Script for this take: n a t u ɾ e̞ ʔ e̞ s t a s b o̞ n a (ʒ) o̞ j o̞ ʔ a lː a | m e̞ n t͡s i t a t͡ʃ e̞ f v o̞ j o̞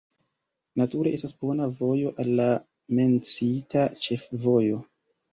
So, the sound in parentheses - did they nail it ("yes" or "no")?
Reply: no